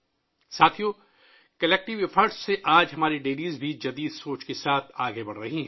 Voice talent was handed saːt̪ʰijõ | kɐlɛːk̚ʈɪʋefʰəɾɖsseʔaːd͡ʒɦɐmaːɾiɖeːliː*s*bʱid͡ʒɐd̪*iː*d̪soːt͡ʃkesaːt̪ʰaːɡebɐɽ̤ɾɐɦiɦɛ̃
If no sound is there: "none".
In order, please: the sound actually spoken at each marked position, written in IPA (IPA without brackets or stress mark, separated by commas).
z, iː